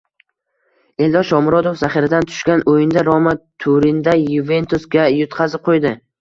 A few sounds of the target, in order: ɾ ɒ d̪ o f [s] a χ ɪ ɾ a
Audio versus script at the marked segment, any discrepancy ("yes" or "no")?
yes